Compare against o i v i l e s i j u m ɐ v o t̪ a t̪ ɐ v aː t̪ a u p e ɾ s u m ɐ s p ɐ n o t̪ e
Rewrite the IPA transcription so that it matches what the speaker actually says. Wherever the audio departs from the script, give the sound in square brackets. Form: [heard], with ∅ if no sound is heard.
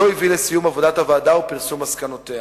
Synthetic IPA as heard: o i v i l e s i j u m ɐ v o [d̪] a t̪ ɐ v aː [d̪] a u p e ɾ s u m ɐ s [k] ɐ n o t̪ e